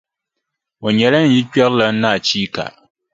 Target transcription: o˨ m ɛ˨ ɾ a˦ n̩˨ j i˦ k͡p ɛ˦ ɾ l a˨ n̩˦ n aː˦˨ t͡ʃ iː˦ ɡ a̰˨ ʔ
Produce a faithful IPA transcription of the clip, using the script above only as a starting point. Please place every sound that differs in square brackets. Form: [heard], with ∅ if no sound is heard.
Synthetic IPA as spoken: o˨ [ɲ] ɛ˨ [l] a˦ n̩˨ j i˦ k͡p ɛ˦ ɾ l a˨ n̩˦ n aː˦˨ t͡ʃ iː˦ [k] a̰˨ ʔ